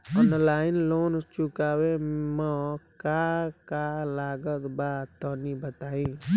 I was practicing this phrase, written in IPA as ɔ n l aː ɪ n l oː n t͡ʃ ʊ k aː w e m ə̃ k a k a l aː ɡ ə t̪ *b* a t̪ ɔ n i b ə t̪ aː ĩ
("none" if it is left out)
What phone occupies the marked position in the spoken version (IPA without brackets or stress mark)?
b